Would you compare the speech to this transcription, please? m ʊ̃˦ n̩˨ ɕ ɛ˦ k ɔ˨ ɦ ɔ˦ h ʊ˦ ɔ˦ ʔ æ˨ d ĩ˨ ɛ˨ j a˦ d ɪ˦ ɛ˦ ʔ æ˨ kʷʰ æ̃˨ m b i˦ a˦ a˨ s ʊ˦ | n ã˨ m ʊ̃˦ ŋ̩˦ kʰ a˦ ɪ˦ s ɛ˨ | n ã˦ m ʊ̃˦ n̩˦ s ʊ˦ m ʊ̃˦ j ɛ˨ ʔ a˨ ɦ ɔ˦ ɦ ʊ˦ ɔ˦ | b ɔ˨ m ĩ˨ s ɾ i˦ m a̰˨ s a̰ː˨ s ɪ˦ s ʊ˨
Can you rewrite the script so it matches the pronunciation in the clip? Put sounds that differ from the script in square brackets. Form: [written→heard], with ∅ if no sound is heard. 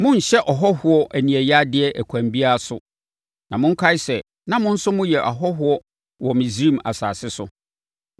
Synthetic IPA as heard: m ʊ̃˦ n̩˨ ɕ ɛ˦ [k→ʔ] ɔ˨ ɦ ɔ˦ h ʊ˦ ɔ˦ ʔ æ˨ [d→n] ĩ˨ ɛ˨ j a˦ d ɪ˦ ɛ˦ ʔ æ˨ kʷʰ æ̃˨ m b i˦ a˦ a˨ s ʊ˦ | n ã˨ m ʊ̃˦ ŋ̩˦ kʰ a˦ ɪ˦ s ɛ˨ | n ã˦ m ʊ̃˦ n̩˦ s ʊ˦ m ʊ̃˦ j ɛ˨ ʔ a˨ ɦ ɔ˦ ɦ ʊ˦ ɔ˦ | [b→w] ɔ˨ m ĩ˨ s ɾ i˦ m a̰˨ s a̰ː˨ s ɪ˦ s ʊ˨